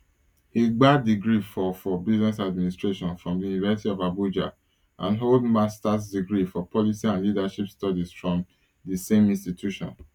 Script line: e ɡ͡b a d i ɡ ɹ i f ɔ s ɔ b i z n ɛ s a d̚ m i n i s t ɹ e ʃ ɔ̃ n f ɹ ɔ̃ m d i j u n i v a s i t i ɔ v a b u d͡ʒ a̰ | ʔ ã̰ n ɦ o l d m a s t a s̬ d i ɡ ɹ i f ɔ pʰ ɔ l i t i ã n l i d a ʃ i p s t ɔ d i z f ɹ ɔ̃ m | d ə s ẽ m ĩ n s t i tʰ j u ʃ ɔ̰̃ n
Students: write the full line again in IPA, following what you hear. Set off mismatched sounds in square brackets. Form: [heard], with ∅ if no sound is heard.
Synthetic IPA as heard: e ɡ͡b a d i ɡ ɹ i f ɔ [f] ɔ b i z n ɛ s a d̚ m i n i s t ɹ e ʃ ɔ̃ n f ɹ ɔ̃ m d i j u n i v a s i t i ɔ v a b u d͡ʒ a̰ | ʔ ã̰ n ɦ o l d m a s t a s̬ d i ɡ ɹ i f ɔ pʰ ɔ l i [s] i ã n l i d a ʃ i p s t ɔ d i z f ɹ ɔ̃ m | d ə s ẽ m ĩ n s t i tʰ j u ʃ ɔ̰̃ n